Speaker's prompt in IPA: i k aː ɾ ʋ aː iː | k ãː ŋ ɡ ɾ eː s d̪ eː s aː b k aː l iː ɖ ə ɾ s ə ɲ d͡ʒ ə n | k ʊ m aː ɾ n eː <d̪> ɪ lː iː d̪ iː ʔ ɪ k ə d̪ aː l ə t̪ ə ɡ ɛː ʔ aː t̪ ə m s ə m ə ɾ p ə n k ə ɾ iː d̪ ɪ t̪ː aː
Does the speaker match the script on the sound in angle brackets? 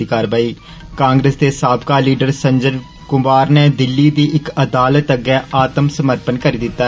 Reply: yes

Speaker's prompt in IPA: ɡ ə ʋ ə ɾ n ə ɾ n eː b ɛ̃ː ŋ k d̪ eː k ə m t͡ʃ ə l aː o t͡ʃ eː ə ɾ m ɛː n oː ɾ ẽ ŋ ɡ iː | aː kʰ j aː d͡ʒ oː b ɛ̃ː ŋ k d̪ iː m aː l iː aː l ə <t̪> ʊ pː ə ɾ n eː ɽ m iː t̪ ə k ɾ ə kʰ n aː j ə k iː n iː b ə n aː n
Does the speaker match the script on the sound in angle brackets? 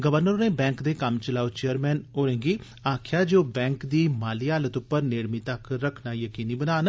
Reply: yes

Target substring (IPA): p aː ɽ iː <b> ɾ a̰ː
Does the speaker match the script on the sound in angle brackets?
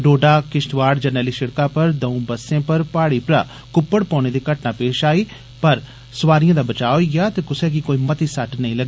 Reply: no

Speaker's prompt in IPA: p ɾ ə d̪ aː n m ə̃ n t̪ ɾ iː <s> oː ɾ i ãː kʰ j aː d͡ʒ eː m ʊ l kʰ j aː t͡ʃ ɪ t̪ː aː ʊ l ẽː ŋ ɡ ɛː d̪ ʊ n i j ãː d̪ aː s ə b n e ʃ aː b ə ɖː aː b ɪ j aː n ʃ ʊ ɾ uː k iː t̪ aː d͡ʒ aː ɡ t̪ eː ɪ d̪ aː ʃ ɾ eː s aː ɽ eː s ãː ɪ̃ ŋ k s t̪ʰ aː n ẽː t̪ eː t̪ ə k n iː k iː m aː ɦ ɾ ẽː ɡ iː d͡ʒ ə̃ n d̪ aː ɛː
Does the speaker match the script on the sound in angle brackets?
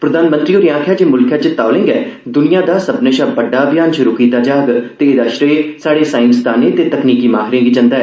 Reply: no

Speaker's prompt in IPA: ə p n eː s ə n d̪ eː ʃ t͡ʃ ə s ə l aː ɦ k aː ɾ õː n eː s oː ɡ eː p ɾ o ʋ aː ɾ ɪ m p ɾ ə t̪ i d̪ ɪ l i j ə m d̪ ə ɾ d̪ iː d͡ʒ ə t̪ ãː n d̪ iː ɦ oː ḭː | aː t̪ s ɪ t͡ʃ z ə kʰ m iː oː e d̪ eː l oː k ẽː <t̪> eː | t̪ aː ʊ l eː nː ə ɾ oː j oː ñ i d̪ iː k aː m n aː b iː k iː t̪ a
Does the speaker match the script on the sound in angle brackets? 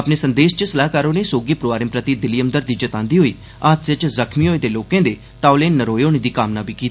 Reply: no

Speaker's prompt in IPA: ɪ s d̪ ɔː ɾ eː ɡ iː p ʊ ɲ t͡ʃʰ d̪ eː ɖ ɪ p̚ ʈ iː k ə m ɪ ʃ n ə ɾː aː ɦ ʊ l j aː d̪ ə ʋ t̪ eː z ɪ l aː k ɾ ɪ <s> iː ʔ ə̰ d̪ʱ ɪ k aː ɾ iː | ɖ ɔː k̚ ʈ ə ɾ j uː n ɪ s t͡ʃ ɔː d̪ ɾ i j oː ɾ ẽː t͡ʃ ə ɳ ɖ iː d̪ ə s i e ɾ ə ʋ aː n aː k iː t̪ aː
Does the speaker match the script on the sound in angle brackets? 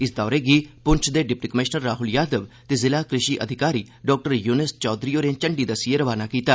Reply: no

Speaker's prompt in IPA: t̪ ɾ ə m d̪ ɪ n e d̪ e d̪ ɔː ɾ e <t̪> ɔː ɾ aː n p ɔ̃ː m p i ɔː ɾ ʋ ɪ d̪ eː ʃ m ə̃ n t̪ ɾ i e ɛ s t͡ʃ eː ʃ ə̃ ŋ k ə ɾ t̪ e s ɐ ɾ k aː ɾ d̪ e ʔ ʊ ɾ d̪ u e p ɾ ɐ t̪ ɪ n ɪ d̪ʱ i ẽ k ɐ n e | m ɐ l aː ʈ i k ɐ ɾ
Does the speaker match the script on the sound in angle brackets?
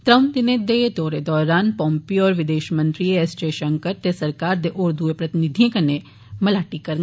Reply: no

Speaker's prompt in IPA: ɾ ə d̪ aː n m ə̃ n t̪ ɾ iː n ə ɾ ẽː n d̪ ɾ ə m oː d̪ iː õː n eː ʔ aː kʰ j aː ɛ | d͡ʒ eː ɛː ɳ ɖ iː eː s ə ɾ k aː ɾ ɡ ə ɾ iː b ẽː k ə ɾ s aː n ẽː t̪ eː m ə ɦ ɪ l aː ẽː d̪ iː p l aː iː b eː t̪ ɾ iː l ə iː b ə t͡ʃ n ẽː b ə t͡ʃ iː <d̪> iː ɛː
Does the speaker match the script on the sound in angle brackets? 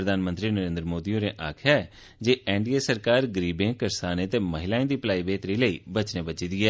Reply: yes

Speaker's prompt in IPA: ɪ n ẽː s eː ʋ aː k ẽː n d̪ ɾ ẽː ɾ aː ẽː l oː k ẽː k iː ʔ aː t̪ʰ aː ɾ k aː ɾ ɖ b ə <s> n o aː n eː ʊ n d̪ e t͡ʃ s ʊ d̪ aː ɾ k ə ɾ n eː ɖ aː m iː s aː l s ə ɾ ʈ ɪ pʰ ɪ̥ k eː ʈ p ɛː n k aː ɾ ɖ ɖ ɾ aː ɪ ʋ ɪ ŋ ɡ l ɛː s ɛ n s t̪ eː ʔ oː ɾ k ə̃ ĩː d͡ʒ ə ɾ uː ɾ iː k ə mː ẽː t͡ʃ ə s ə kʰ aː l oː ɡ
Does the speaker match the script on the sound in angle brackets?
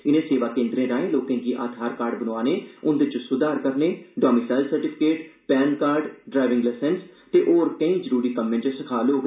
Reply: no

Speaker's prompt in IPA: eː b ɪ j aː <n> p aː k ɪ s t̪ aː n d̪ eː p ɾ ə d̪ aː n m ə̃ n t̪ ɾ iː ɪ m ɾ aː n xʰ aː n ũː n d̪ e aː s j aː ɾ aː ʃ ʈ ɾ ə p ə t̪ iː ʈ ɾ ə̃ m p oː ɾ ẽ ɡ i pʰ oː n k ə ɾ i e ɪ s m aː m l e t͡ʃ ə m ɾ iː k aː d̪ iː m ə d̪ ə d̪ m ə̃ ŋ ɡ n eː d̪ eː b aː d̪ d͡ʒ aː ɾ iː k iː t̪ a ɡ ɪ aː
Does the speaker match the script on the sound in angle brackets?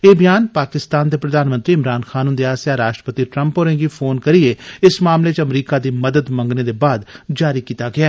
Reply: yes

